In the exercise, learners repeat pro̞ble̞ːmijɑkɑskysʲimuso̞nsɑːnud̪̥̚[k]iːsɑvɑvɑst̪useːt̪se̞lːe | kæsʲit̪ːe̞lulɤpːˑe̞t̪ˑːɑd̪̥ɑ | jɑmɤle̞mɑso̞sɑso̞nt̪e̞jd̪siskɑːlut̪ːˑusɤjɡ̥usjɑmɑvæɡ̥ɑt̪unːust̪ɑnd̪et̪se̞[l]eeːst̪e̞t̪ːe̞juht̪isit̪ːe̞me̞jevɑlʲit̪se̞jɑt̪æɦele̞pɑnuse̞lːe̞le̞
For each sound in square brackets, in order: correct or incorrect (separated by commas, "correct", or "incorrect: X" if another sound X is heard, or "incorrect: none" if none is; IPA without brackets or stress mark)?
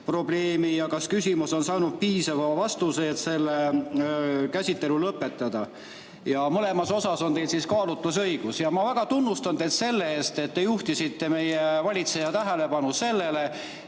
incorrect: p, incorrect: lː